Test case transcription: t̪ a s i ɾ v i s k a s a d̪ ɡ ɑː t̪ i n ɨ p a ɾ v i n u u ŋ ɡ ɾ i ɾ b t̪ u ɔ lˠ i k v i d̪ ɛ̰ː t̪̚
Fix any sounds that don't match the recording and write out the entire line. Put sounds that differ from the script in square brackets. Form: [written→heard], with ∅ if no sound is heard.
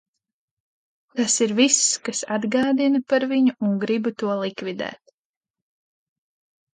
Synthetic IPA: t̪ a s i ɾ v i s k a s a d̪ ɡ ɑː [t̪→d̪] i n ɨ p a ɾ v i [n→ɲ] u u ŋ ɡ ɾ i [ɾ→∅] b t̪ u ɔ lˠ i k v i d̪ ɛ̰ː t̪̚

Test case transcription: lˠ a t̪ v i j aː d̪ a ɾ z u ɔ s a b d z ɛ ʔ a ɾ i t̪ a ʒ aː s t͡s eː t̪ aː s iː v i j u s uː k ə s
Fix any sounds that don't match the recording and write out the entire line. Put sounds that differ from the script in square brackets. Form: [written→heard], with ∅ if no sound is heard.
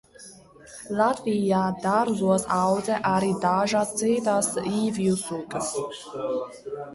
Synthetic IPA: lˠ a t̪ v i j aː d̪ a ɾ z u ɔ s a [b→w] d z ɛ ʔ a ɾ i [t̪→d̪] a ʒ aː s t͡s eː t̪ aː s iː v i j u s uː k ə s

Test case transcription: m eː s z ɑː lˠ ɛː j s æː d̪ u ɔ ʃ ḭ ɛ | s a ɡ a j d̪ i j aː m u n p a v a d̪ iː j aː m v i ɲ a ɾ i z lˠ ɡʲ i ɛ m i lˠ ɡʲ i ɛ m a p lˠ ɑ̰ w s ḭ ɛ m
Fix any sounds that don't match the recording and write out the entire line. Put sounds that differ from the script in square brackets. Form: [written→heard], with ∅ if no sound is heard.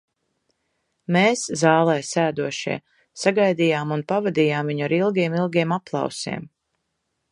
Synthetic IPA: m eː s z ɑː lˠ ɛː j s æː d̪ u ɔ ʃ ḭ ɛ | s a ɡ a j d̪ i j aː m u n p a v a d̪ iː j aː m v i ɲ a ɾ i [z→∅] lˠ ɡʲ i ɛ m i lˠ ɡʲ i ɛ m a p lˠ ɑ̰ w s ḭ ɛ m

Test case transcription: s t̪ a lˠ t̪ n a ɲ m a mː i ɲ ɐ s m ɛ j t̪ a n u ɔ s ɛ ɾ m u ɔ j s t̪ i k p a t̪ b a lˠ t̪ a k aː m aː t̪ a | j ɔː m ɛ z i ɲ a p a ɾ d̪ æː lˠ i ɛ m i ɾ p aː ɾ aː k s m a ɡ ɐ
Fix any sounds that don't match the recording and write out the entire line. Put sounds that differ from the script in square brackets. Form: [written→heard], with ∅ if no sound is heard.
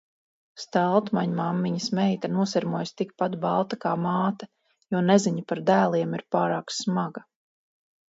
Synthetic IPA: s t̪ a lˠ t̪ [n→m] a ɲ m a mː i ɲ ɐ s m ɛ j t̪ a n u ɔ s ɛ ɾ m u ɔ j s t̪ i k p a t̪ b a lˠ t̪ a k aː m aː t̪ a | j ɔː [m→n] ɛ z i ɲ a p a ɾ d̪ æː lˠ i ɛ m i ɾ p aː ɾ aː k s m a ɡ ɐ

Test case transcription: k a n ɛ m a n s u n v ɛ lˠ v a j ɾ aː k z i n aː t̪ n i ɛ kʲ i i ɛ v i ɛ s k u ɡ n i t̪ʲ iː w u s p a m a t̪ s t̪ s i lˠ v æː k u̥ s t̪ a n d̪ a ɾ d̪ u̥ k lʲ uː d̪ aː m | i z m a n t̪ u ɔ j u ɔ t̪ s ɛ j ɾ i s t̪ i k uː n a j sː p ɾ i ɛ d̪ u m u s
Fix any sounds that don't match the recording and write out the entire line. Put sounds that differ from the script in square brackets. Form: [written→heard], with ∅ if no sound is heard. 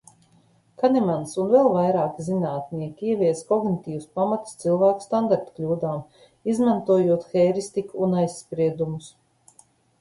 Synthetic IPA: k a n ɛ m a n s u n v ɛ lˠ v a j ɾ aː k z i n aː t̪ n i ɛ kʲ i i ɛ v i ɛ s k [u→ɔ] ɡ n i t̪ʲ iː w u s p a m a t̪ s t̪ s i lˠ v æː k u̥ s t̪ a n d̪ a ɾ [d̪→t̪] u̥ k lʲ uː d̪ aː m | i z m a n t̪ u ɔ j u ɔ t̪ [s→x] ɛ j ɾ i s t̪ i k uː n a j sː p ɾ i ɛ d̪ u m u s

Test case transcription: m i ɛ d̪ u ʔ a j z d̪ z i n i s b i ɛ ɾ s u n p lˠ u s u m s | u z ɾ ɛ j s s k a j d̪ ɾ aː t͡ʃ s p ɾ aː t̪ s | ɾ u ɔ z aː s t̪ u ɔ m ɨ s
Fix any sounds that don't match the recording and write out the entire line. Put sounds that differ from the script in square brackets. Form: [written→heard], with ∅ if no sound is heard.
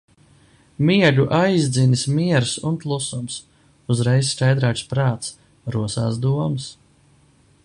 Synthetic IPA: m i ɛ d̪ u ʔ a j z d̪ z i n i s [b→m] i ɛ ɾ s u n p lˠ u s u m s | u z ɾ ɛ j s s k a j d̪ ɾ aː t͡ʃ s p ɾ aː t̪ s | ɾ u ɔ [z→s] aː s [t̪→d̪] u ɔ m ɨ s

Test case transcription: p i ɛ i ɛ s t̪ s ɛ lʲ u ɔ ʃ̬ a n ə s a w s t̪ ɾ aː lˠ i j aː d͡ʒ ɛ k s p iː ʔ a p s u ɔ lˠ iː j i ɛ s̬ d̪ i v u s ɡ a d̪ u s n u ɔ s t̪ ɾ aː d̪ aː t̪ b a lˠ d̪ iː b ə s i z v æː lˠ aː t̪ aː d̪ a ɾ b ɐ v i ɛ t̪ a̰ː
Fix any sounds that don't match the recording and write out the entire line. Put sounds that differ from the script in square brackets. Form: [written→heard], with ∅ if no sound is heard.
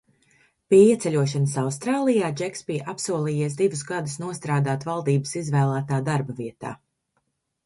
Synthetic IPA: p i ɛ i ɛ [s→∅] t̪ s ɛ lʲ u ɔ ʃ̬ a n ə s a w s t̪ ɾ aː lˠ i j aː d͡ʒ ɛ k s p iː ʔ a p s u ɔ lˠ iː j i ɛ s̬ d̪ i v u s ɡ a d̪ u s n u ɔ s t̪ ɾ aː d̪ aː t̪ [b→v] a lˠ d̪ iː b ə s i z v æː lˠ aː t̪ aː d̪ a ɾ b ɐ v i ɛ t̪ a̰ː

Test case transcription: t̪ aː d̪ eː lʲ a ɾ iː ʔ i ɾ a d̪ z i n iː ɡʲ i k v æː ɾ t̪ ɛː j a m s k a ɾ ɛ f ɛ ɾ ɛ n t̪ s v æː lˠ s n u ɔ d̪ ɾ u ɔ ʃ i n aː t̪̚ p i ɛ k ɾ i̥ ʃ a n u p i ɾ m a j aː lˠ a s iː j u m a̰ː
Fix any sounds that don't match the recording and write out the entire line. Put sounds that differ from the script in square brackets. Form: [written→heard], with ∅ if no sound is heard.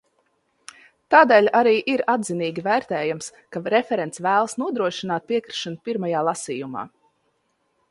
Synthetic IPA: t̪ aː d̪ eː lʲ a ɾ iː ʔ i ɾ a d̪ z i n iː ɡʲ i [k→∅] v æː ɾ t̪ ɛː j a m s k a ɾ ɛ f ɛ ɾ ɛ n t̪ s v æː lˠ s n u ɔ d̪ ɾ u ɔ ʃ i n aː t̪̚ p i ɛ k ɾ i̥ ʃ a n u p i ɾ m a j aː lˠ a s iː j u m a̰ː

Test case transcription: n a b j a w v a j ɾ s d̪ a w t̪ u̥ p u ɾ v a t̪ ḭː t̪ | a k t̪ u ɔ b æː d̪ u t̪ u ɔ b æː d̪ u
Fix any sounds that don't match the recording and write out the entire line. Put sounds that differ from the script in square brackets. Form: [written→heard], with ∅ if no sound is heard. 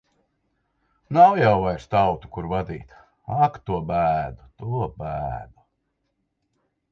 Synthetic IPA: n a [b→w] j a w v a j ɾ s [d̪→t̪] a w t̪ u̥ [p→k] u ɾ v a [t̪→d̪] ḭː t̪ | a k t̪ u ɔ b æː d̪ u t̪ u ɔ b æː d̪ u

